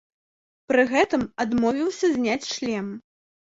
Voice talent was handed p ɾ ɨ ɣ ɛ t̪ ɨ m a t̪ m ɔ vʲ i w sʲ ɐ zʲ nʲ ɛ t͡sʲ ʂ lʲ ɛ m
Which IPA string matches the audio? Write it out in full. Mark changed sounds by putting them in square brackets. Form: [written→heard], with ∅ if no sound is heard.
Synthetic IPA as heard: p ɾ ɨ ɣ ɛ t̪ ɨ m a [t̪→d̪] m ɔ vʲ i w sʲ ɐ zʲ nʲ [ɛ→a] t͡sʲ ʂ lʲ ɛ m